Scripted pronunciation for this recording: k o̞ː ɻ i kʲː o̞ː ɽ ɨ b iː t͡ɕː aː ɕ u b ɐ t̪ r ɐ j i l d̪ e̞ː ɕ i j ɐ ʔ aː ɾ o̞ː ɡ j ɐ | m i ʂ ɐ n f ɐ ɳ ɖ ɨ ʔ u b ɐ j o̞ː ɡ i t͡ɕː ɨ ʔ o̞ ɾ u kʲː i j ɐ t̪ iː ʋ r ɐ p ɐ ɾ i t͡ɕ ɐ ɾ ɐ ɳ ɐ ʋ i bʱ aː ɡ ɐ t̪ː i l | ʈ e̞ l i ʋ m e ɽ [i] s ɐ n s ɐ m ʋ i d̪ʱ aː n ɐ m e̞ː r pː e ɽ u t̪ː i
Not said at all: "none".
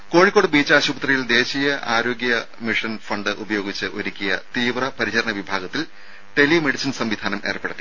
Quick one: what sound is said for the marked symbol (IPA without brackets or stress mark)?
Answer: i